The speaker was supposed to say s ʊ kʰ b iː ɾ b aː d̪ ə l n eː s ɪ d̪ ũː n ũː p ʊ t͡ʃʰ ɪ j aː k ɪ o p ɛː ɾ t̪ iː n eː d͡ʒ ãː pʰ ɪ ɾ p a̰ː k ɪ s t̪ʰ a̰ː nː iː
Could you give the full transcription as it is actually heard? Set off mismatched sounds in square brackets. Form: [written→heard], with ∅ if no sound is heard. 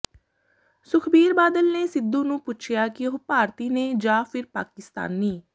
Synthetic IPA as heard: s ʊ kʰ b iː ɾ b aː d̪ ə l n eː s ɪ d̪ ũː n ũː p ʊ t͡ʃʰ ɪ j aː k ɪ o p [ɛː→aː] ɾ t̪ iː n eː d͡ʒ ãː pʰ ɪ ɾ p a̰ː k ɪ s [t̪ʰ→t̪] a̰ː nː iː